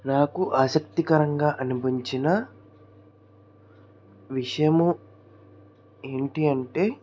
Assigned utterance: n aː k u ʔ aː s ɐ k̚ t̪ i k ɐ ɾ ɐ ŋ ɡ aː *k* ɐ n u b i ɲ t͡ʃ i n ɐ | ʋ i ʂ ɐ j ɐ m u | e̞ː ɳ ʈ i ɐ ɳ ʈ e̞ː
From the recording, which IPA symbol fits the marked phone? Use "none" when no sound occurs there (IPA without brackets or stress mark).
ʔ